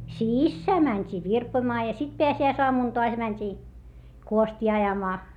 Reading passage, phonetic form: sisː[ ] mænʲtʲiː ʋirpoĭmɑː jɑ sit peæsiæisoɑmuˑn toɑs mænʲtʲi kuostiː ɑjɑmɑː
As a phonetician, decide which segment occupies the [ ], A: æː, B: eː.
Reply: A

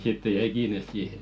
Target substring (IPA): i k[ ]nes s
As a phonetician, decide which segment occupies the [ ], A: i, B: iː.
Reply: B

